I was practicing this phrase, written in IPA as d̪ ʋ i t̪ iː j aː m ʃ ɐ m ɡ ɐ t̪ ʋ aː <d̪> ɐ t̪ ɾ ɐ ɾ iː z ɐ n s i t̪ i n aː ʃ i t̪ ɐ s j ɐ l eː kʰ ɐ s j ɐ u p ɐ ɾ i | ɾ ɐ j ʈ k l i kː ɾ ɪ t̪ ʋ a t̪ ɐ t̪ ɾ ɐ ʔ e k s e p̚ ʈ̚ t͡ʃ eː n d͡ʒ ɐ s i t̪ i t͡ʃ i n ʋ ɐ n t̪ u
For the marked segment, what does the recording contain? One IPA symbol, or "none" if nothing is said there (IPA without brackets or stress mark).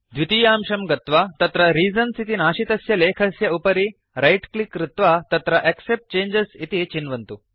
t̪